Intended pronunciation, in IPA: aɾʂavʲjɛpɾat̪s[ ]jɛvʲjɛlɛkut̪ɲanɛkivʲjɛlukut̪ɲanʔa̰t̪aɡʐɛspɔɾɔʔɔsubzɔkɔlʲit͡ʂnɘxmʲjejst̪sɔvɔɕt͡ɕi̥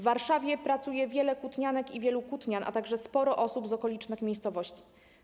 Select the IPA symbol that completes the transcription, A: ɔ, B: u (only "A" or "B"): B